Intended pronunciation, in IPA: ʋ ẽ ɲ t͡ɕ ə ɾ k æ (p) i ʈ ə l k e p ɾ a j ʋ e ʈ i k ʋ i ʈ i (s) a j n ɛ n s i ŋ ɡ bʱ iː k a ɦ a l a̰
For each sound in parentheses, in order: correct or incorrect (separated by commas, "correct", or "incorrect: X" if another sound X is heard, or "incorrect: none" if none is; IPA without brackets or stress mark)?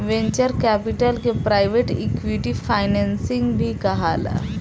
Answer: correct, incorrect: f